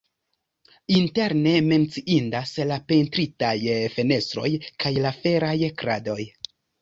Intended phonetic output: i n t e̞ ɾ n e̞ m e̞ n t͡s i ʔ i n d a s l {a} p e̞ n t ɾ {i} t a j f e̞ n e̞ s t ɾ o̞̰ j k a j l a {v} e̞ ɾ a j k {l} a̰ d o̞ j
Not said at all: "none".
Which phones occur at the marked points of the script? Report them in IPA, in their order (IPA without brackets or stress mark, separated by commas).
a, i, f, ɾ